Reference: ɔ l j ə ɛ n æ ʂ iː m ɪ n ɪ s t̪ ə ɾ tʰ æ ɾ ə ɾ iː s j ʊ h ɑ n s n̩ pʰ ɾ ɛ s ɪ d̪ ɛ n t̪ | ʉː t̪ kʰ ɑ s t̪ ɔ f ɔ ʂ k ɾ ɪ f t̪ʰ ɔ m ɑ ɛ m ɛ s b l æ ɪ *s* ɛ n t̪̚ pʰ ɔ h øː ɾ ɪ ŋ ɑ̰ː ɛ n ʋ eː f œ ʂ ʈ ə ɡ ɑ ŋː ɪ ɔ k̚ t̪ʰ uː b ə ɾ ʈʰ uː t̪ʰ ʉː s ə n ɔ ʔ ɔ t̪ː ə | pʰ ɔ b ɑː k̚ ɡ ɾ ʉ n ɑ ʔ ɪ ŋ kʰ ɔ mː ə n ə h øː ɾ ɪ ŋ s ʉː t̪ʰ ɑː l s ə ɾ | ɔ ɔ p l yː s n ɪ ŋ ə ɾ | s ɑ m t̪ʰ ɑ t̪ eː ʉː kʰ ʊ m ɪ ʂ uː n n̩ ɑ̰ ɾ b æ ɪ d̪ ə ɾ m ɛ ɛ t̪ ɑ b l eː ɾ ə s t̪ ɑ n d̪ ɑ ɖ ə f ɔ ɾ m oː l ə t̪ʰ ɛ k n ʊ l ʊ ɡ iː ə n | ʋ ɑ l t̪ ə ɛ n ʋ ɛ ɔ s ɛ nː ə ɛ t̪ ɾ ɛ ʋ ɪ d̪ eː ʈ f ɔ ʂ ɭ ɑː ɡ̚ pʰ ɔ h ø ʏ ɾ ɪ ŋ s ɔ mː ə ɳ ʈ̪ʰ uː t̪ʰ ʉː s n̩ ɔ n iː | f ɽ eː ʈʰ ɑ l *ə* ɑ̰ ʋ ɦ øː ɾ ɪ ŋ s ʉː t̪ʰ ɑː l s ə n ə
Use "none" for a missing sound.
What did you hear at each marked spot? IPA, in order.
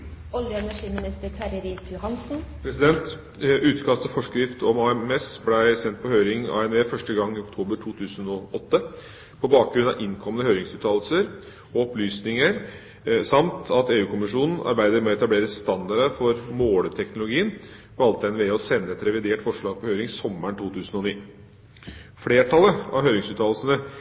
s, ə

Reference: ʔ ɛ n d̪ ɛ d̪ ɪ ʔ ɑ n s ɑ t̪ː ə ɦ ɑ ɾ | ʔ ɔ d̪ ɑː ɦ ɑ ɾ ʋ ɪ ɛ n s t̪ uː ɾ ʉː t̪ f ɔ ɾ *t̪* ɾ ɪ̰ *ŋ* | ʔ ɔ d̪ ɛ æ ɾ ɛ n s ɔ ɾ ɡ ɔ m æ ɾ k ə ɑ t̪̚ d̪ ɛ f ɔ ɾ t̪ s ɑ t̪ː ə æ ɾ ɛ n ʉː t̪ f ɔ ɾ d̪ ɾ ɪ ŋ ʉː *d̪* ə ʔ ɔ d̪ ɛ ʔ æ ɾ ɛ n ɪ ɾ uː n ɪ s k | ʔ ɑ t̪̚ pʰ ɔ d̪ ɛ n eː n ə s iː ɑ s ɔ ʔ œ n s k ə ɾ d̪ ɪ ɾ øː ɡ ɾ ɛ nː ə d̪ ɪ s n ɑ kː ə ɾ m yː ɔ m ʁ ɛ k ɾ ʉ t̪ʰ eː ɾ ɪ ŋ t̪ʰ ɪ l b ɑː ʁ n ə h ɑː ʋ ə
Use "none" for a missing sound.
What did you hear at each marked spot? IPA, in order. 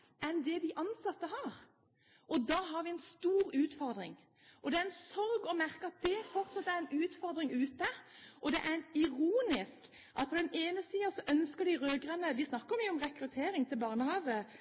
d̪, ŋ, t̪

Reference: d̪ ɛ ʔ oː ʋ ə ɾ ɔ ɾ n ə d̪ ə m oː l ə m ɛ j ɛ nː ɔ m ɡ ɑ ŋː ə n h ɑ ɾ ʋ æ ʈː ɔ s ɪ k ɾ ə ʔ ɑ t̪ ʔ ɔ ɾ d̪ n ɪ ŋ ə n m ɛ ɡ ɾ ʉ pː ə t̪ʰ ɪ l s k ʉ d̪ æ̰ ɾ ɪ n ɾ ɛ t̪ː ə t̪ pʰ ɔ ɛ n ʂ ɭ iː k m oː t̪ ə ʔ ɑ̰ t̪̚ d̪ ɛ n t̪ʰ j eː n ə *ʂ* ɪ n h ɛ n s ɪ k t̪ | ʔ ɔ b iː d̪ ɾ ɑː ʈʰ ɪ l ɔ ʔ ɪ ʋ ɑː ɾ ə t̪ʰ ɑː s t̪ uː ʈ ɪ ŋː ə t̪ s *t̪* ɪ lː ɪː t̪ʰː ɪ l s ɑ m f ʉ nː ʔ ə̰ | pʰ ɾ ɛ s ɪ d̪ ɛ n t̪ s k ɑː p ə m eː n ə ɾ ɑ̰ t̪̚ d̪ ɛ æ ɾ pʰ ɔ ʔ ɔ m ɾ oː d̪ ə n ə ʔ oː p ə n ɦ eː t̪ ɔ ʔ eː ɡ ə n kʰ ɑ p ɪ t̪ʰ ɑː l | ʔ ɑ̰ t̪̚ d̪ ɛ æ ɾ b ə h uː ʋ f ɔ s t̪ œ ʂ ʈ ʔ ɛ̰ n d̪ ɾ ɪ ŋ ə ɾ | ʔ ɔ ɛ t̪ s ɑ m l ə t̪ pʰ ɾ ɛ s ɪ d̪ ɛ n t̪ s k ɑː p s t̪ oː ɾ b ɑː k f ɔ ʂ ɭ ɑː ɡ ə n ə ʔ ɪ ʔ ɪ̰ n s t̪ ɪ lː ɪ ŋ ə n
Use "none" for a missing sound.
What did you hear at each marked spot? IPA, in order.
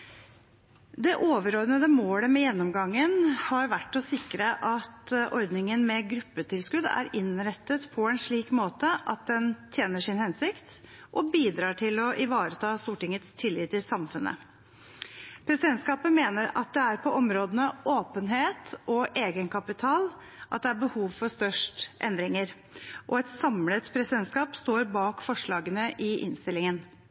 ʂ, t̪ʰ

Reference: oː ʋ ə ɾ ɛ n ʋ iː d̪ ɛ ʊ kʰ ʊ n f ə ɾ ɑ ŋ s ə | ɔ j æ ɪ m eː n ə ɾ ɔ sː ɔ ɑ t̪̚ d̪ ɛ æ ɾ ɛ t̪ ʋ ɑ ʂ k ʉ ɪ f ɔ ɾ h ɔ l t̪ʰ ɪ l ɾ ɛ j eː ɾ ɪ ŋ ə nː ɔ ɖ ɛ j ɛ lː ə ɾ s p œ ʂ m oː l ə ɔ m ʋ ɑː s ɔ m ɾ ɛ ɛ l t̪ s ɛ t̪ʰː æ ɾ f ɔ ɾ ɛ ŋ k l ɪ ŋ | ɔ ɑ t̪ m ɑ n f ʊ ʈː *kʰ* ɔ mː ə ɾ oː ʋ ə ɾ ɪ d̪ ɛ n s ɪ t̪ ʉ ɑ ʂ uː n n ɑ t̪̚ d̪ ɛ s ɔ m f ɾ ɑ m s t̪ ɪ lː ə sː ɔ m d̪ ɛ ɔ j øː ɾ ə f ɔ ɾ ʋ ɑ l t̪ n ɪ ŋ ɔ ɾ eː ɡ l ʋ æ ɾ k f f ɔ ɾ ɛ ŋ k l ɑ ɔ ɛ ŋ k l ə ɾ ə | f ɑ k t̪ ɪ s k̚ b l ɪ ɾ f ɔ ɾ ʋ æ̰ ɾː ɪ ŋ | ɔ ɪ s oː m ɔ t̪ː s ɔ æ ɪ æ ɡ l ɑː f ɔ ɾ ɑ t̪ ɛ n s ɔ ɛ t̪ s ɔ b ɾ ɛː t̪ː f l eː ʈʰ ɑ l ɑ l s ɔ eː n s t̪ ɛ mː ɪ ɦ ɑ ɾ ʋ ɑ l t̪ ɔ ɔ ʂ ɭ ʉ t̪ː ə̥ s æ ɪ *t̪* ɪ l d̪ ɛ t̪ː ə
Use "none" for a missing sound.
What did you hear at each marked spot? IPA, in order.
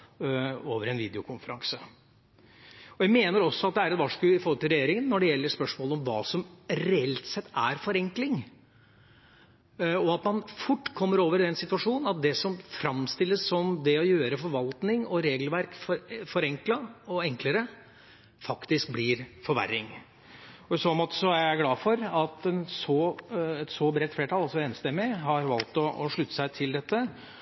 kʰ, t̪ʰ

